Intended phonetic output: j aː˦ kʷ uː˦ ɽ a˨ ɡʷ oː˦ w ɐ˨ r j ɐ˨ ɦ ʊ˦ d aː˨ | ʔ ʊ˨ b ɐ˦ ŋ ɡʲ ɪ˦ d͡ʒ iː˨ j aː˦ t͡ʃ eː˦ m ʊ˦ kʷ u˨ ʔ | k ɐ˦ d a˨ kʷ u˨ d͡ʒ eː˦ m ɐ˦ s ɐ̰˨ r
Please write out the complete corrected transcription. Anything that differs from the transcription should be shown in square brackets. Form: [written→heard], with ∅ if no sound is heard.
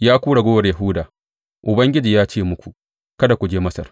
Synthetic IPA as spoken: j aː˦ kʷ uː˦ ɽ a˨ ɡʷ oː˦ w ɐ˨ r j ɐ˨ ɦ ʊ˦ d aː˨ | ʔ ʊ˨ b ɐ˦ ŋ ɡʲ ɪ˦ d͡ʒ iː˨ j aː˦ t͡ʃ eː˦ m ʊ˦ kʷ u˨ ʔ | k ɐ˦ d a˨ kʷ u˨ d͡ʒ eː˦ m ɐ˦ s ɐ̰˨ r